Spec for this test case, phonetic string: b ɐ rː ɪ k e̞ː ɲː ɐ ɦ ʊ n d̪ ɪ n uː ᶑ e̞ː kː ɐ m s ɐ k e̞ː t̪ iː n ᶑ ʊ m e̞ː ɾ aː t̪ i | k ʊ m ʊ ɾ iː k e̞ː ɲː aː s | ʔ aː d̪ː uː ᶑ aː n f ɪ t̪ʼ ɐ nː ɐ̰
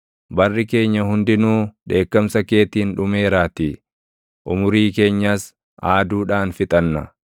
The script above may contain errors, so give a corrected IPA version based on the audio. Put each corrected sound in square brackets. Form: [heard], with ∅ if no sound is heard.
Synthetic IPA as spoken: b ɐ rː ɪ k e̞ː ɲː ɐ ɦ ʊ n d̪ ɪ n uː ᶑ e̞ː kː ɐ m s ɐ k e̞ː t̪ iː n ᶑ ʊ m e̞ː ɾ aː t̪ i | [ʔ] ʊ m ʊ ɾ iː k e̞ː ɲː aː s | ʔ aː [d̪] uː ᶑ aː n f ɪ t̪ʼ ɐ nː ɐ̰